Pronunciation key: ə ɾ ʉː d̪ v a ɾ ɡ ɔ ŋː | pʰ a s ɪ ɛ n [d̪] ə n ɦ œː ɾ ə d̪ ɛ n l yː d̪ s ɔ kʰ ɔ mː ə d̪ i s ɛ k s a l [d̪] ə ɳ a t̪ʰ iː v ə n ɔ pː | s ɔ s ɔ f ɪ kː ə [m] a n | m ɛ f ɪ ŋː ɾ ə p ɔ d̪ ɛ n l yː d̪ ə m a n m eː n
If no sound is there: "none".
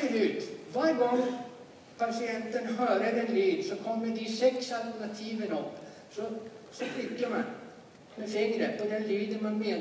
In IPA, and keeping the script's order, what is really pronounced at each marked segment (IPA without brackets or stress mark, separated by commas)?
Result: t̪, t̪, m